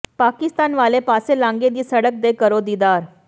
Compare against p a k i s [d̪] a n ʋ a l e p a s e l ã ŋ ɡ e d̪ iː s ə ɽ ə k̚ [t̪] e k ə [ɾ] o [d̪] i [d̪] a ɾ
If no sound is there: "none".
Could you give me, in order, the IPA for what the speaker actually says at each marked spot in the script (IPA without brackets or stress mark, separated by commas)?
t̪, d̪, ɾ, d̪, d̪